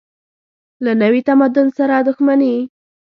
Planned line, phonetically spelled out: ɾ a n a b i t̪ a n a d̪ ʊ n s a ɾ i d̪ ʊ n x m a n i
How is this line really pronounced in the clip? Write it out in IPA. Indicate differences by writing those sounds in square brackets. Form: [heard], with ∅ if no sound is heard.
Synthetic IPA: [l] a n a [w] i t̪ a [m] a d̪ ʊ n s a ɾ [a] d̪ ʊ [∅] x m a n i